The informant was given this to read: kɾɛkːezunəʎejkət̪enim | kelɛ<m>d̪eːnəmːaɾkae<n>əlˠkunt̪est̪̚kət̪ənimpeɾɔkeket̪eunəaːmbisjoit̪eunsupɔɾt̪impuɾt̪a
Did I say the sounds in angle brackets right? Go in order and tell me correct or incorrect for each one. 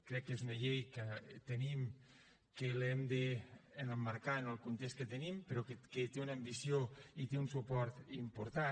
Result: correct, correct

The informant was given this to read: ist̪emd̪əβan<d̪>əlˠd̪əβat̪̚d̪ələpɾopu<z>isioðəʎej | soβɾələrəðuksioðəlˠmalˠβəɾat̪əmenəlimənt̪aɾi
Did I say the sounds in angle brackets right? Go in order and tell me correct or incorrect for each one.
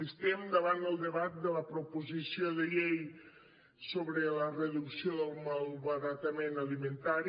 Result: correct, correct

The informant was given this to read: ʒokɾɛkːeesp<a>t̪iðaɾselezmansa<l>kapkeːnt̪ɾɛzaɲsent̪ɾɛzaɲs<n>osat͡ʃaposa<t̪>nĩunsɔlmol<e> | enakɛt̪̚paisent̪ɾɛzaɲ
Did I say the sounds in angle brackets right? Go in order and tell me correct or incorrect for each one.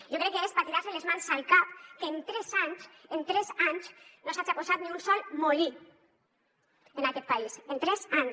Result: correct, correct, correct, correct, incorrect: i

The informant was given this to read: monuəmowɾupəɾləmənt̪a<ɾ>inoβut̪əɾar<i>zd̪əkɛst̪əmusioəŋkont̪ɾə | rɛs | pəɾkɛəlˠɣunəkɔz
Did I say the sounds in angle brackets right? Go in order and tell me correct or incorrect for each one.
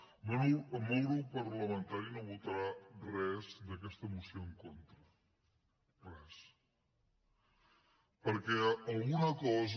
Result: correct, incorrect: ɛ

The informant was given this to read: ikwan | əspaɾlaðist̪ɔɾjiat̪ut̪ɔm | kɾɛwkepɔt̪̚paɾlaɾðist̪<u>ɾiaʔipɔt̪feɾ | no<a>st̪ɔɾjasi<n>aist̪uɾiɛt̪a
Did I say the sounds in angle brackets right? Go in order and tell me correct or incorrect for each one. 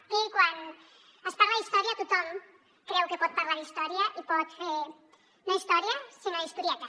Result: incorrect: ɔ, incorrect: i, correct

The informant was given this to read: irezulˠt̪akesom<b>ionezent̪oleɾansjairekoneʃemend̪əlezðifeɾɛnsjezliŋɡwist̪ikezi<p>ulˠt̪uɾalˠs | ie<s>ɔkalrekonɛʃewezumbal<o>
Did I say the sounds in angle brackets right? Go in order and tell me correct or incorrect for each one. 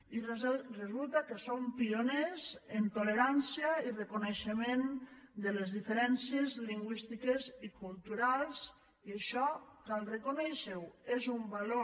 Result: incorrect: p, incorrect: k, incorrect: ʃ, correct

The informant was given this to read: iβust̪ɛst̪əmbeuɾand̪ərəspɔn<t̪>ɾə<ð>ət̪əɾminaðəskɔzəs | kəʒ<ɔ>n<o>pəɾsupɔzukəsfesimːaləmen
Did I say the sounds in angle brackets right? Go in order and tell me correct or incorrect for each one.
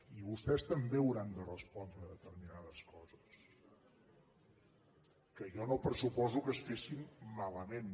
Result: incorrect: d̪, correct, correct, correct

